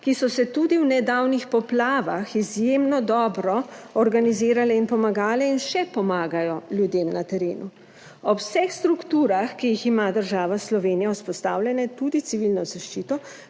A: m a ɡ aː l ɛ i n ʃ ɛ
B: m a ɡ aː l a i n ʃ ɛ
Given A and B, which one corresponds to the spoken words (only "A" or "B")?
A